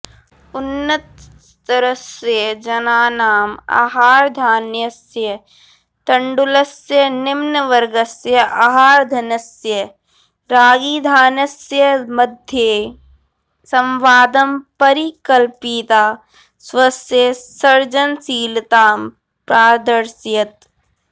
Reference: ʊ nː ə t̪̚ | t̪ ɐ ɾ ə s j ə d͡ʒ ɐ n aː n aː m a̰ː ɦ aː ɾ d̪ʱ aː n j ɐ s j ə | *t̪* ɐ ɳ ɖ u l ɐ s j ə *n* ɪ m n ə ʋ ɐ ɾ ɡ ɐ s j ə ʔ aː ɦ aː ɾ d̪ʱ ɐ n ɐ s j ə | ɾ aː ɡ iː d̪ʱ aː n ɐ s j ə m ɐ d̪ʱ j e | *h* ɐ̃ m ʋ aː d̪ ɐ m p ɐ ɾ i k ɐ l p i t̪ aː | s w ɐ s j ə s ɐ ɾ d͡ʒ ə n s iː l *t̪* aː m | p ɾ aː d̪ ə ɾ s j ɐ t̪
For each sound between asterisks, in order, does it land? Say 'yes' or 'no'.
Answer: yes, yes, no, yes

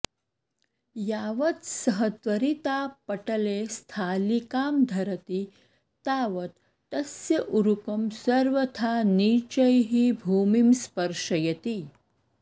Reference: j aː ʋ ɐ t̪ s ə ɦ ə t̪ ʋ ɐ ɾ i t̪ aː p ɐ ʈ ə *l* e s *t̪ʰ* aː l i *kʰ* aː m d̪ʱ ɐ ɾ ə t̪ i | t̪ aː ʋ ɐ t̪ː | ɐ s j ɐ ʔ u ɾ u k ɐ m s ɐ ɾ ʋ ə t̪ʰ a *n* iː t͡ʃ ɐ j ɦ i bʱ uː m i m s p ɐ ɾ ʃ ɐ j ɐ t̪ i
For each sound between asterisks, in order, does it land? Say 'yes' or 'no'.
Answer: yes, yes, no, yes

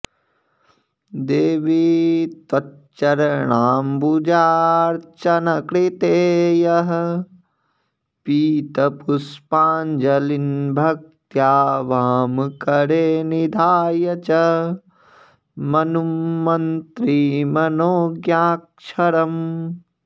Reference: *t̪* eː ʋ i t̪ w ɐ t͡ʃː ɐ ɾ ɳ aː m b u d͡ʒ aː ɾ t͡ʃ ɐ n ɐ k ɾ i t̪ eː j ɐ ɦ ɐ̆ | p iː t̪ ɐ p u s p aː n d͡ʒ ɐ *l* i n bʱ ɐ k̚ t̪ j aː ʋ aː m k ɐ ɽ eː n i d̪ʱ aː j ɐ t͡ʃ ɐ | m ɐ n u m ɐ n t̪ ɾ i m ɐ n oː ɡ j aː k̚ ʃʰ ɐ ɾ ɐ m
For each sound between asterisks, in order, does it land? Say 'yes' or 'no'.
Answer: no, yes

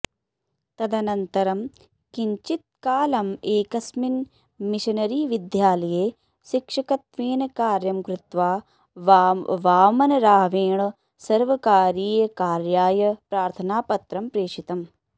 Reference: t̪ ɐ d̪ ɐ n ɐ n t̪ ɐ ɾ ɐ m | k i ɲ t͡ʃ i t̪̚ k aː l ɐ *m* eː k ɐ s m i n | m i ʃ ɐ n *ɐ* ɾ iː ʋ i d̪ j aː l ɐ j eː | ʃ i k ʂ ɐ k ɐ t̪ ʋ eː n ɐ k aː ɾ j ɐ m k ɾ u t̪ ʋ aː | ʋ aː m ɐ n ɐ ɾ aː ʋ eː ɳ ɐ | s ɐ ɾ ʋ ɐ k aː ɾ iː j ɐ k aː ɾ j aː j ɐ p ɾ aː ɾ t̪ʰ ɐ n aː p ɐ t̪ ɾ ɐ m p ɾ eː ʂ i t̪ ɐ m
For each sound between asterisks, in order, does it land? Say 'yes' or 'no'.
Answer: yes, yes

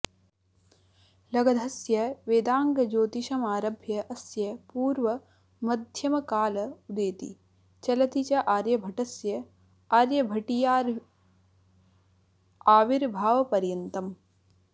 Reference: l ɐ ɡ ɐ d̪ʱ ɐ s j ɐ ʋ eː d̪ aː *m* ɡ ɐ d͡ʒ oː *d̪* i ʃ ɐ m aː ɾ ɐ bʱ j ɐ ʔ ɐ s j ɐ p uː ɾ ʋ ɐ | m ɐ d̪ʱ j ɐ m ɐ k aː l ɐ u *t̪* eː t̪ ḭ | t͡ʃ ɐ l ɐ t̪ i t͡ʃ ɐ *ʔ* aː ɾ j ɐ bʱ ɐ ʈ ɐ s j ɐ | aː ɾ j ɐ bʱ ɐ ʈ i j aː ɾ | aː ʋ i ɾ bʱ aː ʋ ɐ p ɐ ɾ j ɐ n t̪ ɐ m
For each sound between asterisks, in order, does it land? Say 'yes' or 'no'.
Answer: no, no, no, yes

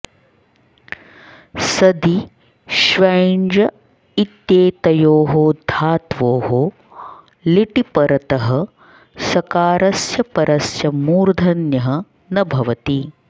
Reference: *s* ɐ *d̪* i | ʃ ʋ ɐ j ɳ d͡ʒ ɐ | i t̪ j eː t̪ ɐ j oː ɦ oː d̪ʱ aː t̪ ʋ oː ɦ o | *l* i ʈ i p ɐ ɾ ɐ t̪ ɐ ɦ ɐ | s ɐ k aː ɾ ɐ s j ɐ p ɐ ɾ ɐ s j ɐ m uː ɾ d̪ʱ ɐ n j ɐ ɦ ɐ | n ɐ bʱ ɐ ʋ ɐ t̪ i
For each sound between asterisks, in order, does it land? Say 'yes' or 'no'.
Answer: yes, yes, yes

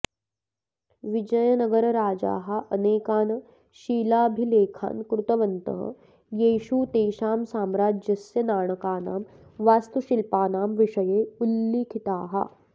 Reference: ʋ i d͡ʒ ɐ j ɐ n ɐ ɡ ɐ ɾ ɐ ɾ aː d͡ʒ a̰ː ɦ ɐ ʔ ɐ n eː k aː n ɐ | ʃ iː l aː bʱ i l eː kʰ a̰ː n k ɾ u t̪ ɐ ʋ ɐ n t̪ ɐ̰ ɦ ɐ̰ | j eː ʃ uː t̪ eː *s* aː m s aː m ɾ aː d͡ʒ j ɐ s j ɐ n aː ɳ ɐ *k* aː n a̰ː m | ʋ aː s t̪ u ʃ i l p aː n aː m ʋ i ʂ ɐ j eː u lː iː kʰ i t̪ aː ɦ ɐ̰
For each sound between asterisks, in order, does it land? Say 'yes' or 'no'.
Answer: no, yes

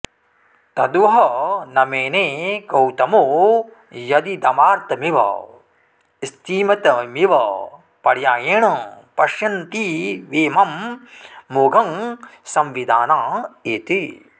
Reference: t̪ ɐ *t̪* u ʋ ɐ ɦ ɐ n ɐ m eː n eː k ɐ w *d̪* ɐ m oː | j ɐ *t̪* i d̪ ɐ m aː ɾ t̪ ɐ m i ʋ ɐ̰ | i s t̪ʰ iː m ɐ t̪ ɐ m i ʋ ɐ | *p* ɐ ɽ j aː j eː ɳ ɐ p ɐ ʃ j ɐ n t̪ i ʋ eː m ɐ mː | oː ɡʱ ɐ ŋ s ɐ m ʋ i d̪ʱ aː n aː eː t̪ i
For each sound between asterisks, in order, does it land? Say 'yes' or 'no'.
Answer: no, no, no, yes

